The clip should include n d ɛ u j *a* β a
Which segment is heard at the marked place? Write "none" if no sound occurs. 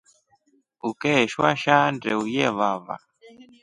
ɛ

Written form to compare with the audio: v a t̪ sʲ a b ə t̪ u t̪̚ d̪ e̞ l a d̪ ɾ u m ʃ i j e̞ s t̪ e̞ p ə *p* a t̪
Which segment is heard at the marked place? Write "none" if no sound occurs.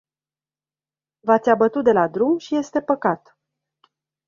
k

